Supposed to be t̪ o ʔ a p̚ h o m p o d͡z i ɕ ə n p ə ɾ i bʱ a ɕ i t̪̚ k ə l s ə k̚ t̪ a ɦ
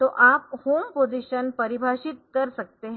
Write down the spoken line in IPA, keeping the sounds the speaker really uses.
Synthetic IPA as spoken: t̪ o ʔ a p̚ h o m p o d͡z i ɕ ə n p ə ɾ i bʱ a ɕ i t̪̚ k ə ɾ s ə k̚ t̪ e ɦ